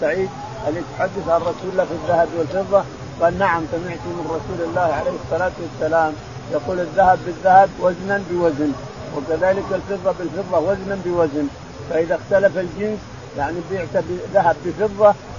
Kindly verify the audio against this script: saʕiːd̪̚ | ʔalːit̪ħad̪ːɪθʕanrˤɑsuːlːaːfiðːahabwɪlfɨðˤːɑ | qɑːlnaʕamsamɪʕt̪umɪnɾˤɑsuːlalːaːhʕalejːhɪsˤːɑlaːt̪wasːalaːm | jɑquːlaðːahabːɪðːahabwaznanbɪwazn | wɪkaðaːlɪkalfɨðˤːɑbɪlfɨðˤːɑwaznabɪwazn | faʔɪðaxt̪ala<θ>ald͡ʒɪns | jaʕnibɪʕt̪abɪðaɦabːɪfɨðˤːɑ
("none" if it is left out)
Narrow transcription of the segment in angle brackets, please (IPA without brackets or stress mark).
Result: f